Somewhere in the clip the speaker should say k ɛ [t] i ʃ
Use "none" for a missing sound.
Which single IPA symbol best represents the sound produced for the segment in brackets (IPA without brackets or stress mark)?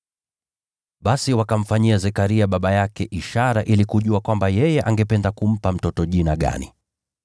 ʔ